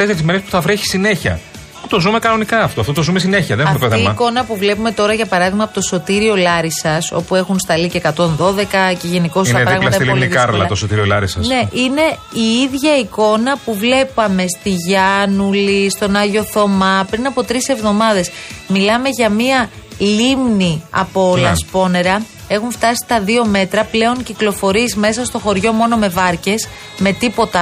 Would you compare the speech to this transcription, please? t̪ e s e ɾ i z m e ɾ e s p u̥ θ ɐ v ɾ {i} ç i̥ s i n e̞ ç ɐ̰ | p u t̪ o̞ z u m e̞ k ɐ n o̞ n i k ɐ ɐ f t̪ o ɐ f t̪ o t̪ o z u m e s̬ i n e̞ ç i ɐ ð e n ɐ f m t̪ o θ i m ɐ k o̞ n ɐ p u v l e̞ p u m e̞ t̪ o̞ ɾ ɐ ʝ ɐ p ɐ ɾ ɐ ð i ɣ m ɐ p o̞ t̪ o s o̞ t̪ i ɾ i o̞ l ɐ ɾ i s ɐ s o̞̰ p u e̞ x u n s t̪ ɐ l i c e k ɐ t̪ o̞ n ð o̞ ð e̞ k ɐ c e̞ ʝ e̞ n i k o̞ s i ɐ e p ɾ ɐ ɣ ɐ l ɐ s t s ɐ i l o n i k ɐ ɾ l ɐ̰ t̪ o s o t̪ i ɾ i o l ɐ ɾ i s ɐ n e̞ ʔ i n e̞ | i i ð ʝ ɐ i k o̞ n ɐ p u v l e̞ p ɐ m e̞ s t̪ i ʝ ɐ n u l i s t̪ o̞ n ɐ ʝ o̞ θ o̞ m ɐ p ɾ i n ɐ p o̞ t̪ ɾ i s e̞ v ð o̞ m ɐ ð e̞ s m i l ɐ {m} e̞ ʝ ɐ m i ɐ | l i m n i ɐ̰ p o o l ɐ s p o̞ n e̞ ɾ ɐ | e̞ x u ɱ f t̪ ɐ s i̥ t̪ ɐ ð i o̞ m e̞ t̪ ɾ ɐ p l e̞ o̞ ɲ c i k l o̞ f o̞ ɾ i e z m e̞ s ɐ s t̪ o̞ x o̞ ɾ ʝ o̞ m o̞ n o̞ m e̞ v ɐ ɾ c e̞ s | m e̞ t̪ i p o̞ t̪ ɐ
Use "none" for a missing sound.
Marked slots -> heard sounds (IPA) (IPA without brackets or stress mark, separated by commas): e, m